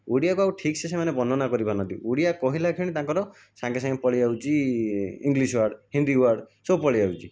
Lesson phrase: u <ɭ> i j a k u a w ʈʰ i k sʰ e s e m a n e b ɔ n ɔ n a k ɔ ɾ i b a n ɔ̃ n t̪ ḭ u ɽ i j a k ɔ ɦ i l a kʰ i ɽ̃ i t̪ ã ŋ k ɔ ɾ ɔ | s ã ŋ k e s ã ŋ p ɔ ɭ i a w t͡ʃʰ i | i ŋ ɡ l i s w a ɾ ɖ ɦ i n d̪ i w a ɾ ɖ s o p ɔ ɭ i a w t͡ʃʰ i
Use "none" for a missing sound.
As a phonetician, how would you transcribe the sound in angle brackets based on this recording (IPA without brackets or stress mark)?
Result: ɽ